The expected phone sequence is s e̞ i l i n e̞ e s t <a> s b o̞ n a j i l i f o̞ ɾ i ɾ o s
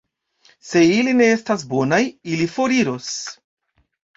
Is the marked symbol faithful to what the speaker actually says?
yes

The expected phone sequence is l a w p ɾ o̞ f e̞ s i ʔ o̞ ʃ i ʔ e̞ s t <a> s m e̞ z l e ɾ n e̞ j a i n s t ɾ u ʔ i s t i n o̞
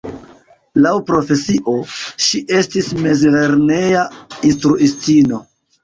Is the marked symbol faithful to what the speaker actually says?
no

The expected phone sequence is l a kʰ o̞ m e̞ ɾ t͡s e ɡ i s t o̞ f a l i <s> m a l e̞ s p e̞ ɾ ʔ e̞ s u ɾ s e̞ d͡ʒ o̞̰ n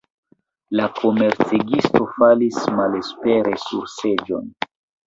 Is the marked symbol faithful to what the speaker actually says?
yes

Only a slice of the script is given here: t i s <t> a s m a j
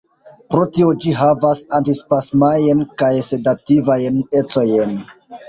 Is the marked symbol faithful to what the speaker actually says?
no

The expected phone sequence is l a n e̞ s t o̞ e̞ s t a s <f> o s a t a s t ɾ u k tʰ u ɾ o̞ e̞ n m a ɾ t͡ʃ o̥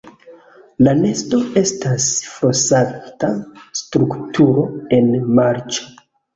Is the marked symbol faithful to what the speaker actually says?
yes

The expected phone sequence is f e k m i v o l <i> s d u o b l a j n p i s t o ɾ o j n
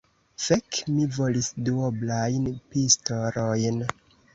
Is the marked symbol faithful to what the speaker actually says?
yes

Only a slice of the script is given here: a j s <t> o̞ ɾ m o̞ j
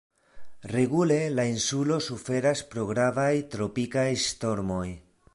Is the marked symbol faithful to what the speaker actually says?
yes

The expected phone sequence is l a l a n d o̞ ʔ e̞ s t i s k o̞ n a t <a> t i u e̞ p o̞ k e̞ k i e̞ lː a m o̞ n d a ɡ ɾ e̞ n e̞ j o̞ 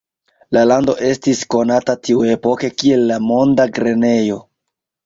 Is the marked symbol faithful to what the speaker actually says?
yes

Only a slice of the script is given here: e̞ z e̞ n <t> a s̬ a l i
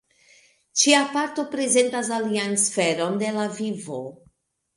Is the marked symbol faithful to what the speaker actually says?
yes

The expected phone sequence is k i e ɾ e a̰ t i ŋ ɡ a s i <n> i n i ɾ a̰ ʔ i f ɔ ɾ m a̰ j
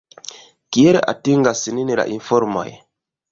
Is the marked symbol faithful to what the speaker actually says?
yes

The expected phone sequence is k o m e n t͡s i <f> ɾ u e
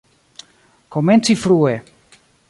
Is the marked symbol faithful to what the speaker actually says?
yes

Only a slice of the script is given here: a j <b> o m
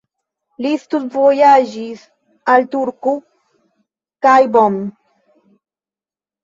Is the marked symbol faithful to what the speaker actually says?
yes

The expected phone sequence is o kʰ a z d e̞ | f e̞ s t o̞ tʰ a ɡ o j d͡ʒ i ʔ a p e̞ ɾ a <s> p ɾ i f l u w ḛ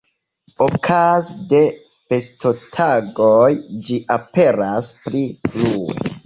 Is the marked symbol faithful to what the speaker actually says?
yes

